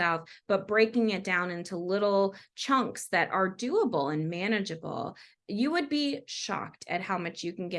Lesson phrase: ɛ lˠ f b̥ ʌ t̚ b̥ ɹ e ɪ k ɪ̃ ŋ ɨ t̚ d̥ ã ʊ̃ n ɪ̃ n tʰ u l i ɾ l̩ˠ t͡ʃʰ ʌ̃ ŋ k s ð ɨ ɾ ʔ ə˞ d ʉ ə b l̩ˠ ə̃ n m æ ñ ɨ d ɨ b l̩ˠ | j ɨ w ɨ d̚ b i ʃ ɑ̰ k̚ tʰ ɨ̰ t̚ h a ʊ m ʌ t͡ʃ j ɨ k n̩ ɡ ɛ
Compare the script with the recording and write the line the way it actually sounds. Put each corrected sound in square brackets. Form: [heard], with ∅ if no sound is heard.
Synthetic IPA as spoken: ɛ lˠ f b̥ ʌ t̚ b̥ ɹ e ɪ k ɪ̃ ŋ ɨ t̚ d̥ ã ʊ̃ n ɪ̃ n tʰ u l [ɪ] ɾ l̩ˠ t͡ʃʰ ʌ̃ ŋ k s ð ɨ ɾ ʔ ə˞ d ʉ ə b l̩ˠ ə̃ n m æ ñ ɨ [d͡ʒ] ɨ b l̩ˠ | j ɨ w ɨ d̚ b i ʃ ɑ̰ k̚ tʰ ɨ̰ t̚ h a ʊ m ʌ t͡ʃ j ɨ k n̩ ɡ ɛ